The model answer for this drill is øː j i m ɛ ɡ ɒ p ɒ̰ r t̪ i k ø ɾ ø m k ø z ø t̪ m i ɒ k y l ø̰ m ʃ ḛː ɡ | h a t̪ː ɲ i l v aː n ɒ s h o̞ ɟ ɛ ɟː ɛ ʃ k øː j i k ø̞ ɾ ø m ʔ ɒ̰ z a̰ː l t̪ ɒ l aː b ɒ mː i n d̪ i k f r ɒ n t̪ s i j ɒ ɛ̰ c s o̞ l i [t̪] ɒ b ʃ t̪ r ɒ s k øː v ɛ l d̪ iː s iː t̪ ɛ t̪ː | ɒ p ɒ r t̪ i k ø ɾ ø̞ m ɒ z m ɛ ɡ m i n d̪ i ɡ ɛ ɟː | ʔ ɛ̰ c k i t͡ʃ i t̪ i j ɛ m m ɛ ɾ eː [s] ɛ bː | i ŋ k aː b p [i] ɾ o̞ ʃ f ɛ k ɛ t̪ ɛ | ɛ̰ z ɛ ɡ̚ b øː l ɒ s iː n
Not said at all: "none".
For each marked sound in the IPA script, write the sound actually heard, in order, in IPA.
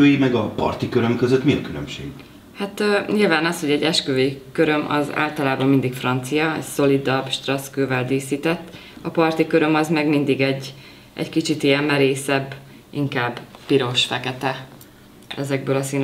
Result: d̪, s, i

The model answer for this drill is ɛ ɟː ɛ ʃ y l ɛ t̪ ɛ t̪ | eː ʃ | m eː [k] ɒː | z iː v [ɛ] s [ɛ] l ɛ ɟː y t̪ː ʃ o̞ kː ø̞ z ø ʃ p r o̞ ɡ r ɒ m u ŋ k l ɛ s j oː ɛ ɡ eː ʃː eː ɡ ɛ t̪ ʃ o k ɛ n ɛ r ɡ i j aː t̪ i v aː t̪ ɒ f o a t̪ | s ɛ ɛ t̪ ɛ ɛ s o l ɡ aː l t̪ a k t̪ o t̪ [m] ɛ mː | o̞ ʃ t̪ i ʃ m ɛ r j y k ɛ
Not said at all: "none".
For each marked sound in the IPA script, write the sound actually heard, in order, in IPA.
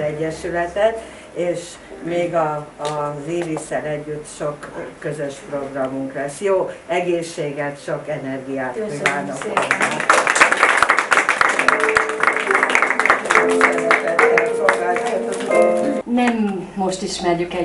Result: ɡ, i, ɛ, n

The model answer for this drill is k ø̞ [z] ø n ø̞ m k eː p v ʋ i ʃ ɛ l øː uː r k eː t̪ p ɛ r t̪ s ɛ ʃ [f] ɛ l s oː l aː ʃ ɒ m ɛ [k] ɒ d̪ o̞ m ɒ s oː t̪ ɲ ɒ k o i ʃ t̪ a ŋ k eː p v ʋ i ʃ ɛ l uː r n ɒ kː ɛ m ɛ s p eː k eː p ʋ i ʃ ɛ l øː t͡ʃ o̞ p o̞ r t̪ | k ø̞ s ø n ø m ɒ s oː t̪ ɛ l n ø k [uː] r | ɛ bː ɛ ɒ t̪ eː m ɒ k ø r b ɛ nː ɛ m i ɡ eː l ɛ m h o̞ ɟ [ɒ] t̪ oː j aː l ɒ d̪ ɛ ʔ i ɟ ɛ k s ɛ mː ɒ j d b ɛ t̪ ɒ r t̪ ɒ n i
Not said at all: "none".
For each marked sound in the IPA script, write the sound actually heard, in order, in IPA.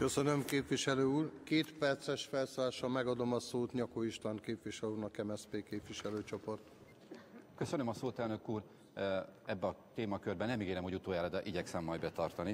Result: s, f, ɡ, uː, u

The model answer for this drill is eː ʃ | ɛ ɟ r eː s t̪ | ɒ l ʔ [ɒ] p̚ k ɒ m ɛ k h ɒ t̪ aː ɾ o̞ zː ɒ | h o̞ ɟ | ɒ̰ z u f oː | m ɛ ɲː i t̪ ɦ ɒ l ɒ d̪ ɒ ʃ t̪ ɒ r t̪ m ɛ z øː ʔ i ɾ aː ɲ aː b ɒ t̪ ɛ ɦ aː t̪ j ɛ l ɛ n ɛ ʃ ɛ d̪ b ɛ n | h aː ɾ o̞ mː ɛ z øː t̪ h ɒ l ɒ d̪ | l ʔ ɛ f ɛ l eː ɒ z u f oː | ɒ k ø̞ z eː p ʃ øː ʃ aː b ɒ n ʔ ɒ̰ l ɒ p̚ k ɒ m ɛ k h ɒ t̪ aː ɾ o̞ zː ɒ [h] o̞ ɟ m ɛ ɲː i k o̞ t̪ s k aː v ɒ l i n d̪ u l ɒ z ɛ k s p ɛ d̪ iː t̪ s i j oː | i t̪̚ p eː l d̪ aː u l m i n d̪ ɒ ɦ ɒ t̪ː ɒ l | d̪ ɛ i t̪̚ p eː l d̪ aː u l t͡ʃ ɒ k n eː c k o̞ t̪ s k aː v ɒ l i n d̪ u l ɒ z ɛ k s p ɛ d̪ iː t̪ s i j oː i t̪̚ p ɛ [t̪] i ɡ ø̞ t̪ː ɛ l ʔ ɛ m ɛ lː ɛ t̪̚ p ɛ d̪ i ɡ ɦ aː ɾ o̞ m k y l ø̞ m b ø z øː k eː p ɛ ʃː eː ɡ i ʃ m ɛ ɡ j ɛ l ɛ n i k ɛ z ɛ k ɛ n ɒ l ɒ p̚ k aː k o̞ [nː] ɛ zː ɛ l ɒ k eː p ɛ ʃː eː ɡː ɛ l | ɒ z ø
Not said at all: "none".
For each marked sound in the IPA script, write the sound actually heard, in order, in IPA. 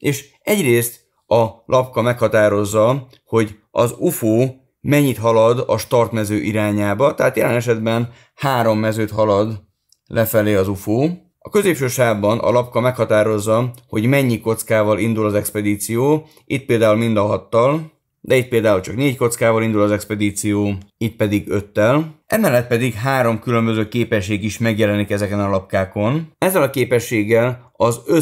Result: ɒ, h, d̪, n

